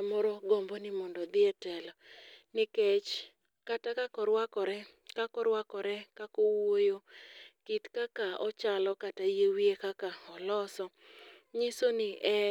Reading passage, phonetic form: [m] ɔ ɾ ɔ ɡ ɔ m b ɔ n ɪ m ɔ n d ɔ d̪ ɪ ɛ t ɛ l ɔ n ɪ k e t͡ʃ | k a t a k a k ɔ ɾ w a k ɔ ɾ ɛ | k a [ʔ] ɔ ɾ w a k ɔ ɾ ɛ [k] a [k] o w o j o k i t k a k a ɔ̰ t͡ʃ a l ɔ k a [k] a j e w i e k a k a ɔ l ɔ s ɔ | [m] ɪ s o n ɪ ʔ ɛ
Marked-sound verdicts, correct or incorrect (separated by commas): correct, incorrect, correct, correct, incorrect, incorrect